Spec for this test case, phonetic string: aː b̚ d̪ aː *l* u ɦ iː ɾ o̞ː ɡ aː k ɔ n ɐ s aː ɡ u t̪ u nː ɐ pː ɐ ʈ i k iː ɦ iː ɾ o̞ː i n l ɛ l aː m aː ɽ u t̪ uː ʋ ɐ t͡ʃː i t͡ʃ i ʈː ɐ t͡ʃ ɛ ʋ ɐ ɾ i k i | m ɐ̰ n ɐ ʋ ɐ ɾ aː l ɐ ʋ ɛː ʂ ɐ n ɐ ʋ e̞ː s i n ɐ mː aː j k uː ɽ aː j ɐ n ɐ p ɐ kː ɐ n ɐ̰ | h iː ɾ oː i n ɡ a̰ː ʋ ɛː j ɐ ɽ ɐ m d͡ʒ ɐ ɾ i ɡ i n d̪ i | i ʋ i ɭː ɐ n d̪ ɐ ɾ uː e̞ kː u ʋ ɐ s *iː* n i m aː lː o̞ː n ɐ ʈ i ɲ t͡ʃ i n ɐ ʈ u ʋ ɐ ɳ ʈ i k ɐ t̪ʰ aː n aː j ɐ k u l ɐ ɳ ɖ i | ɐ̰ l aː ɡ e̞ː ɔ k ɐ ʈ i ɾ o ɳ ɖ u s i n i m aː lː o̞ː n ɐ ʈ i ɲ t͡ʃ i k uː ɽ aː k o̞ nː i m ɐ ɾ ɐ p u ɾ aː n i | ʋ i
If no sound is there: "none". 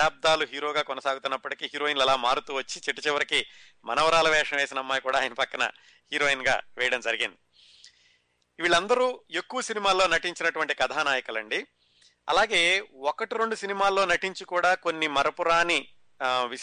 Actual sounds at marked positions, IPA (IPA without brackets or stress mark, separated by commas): l, i